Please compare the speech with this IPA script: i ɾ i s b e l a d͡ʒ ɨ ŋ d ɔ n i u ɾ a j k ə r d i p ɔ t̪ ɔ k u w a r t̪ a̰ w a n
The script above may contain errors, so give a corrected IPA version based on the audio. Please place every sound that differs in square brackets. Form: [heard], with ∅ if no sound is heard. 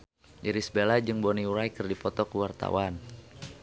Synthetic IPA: i ɾ i s b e l a d͡ʒ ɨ ŋ [b] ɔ n i u ɾ a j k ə r d i p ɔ t̪ ɔ k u w a r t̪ a̰ w a n